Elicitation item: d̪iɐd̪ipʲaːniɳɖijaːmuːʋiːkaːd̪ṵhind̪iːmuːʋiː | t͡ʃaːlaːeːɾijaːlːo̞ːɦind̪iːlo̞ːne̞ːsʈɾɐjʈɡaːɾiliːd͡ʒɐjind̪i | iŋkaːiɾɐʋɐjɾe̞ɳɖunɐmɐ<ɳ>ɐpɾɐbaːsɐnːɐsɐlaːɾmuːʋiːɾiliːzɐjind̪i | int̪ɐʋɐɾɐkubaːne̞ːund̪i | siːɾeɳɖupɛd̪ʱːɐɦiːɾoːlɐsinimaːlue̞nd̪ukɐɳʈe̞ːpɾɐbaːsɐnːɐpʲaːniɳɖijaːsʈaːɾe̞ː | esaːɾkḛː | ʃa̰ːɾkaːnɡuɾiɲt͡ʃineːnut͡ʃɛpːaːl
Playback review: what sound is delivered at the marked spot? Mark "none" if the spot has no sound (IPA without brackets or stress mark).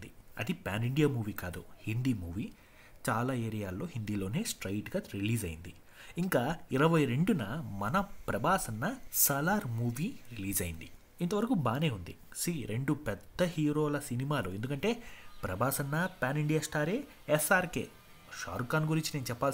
n